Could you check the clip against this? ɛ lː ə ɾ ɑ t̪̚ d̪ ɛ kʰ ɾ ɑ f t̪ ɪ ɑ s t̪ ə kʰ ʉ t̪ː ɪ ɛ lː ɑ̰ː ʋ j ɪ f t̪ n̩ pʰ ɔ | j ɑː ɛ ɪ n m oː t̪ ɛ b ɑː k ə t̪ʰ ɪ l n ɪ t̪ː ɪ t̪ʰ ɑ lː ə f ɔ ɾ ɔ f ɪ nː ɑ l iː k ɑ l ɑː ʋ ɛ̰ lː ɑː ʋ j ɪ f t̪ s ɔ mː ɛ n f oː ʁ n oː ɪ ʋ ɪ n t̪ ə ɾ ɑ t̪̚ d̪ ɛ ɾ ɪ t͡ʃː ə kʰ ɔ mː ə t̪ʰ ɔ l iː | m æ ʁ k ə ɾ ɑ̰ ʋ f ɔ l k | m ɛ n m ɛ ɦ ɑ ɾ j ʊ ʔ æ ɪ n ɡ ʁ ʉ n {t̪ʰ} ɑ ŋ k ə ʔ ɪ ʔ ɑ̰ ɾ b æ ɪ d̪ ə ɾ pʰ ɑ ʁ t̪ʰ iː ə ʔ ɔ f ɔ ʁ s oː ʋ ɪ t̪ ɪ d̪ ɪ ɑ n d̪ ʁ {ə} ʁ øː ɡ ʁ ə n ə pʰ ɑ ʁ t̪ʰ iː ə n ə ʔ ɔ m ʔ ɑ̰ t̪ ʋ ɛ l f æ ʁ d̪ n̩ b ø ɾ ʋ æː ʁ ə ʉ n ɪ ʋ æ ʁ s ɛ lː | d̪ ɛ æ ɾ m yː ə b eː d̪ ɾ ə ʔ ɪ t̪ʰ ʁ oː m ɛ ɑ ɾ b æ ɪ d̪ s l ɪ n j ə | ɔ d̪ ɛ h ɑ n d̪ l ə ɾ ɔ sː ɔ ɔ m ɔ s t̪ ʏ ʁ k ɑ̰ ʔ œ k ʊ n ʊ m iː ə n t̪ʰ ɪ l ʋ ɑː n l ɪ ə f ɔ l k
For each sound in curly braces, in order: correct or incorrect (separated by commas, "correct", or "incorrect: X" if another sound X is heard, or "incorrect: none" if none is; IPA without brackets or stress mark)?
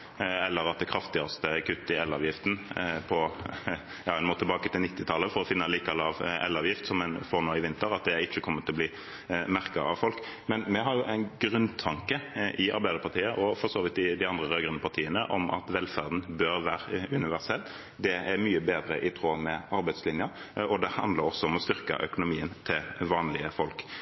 correct, correct